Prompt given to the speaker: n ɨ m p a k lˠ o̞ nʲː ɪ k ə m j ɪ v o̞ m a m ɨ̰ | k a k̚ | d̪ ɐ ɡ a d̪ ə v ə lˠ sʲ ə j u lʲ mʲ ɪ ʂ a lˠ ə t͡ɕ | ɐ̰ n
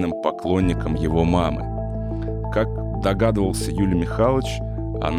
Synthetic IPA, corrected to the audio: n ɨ m p ɐ k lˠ o̞ nʲː ɪ k ə m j ɪ v o̞ m a m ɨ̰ | k a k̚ | d̪ ɐ ɡ a d̪ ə v ə lˠ sʲ ə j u lʲ mʲ ɪ x a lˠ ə t͡ɕ | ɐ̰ n